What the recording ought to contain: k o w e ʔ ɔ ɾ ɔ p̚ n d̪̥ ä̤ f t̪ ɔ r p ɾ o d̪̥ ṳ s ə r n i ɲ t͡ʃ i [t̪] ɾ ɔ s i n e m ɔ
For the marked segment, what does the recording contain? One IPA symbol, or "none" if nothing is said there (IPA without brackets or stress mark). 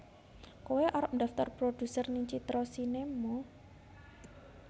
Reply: t̪